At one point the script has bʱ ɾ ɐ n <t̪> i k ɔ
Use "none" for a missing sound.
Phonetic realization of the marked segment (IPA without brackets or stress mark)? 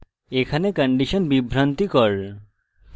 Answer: t̪